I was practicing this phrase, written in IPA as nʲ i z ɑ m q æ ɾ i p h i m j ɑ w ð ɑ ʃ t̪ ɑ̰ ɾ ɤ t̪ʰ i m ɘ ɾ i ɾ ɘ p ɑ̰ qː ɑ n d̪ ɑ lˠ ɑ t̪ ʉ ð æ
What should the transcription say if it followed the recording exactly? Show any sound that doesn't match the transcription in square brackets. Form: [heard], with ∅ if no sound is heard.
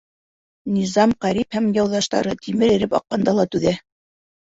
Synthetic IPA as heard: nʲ i z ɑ m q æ ɾ i p h [æ] m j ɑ w ð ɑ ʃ t̪ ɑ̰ ɾ ɤ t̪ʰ i m ɘ ɾ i ɾ ɘ p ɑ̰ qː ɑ n d̪ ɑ lˠ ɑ t̪ ʉ ð æ